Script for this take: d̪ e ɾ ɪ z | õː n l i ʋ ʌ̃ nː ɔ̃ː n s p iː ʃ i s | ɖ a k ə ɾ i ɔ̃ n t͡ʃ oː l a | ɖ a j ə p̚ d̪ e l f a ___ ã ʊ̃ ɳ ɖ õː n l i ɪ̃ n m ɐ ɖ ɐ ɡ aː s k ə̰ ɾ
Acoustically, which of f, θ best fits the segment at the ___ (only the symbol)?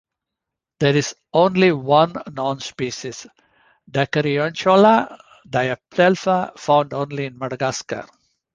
f